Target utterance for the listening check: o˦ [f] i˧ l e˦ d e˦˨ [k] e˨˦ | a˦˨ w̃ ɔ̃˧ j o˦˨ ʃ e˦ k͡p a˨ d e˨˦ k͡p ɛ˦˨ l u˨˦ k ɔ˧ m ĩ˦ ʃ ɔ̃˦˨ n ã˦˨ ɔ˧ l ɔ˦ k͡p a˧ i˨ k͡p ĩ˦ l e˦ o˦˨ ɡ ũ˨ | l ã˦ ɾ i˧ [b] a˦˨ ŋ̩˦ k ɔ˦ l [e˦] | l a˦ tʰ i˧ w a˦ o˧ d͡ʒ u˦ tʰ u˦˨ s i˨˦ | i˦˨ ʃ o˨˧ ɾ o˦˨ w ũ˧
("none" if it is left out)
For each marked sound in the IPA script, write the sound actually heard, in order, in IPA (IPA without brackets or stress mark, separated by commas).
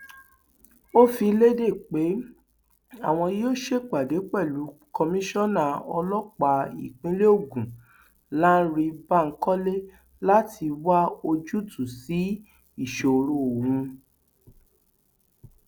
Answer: f, k͡p, b, e˦